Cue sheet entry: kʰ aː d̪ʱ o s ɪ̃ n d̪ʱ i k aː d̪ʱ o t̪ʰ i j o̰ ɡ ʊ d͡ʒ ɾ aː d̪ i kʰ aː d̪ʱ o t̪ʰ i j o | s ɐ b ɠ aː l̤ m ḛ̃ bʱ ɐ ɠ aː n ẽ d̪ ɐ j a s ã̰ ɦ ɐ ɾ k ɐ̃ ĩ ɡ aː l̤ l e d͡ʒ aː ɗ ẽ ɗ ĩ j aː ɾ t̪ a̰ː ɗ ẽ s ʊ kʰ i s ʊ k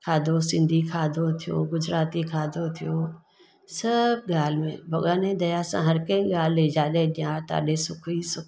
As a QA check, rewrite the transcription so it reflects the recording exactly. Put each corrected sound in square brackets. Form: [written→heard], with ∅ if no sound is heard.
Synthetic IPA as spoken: kʰ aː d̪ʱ o s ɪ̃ n d̪ʱ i [k→kʰ] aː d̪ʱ o t̪ʰ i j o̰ ɡ ʊ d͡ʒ ɾ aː [d̪→t̪] i kʰ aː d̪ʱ o t̪ʰ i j o | s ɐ b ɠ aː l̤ m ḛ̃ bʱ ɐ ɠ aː n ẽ d̪ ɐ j a s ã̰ ɦ ɐ ɾ k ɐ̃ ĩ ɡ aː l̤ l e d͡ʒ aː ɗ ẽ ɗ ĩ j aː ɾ t̪ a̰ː ɗ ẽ s ʊ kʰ i s ʊ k